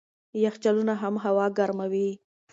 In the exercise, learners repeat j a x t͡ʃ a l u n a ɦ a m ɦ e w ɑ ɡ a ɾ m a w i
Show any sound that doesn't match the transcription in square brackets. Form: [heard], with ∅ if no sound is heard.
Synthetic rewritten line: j a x t͡ʃ a l u n a ɦ a m ɦ [a] w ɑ ɡ a ɾ m a w i